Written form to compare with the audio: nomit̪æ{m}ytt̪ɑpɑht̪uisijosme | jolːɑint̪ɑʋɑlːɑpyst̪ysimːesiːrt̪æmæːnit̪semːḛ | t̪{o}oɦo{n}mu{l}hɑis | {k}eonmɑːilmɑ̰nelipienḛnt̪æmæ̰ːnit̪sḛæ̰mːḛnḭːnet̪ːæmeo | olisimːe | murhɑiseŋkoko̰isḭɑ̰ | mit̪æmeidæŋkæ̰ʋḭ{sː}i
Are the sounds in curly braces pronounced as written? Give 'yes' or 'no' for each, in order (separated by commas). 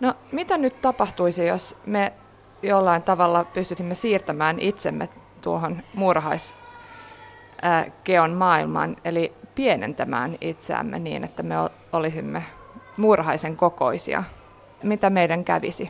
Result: no, no, yes, no, yes, no